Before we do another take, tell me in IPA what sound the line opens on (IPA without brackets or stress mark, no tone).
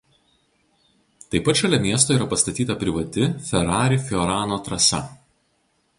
t̪